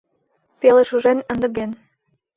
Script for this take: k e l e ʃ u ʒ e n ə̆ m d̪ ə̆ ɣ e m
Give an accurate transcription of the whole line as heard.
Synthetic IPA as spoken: p e l e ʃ u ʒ e n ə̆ n d̪ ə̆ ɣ e n